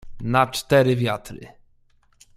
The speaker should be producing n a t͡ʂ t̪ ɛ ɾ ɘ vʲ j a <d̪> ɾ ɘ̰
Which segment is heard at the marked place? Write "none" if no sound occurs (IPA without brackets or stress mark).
t̪